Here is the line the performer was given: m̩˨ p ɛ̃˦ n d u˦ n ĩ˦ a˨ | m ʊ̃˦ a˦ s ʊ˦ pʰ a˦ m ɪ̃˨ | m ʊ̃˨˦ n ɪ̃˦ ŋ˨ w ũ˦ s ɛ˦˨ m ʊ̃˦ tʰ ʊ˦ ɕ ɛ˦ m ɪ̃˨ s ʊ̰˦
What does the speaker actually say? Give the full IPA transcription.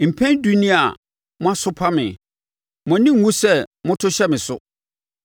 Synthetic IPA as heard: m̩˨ pʰ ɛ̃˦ n d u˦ n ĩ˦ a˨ | m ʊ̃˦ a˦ s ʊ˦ pʰ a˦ m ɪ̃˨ | m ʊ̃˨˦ n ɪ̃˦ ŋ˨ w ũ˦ s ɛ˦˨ m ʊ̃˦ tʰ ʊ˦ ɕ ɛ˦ m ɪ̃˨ s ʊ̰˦